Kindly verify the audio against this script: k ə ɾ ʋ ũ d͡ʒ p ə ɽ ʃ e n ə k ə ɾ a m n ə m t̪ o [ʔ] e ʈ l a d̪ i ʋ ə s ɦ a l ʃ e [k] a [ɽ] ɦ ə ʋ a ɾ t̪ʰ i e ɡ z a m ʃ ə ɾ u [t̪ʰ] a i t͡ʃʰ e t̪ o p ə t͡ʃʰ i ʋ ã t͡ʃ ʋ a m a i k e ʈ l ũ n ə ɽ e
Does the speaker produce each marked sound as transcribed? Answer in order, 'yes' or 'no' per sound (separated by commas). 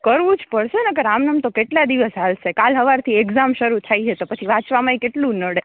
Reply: no, yes, no, yes